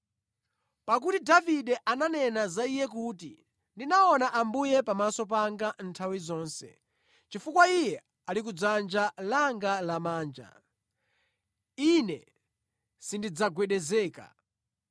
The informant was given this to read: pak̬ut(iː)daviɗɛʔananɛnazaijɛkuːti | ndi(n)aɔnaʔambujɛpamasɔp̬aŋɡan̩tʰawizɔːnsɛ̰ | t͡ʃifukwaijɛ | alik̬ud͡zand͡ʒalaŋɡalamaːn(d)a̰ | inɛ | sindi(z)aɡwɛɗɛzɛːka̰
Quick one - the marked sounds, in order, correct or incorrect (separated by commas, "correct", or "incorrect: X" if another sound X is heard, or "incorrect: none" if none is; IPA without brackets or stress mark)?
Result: incorrect: i, correct, incorrect: d͡ʒ, incorrect: d͡z